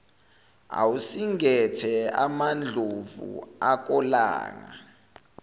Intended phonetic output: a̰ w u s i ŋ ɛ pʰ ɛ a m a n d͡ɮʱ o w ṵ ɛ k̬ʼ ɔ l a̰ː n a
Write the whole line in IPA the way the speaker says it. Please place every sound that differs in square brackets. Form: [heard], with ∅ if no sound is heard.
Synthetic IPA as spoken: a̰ w u s i ŋ ɛ [tʰ] ɛ a m a n d͡ɮʱ o [v] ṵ [a] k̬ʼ ɔ l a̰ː [ŋ] a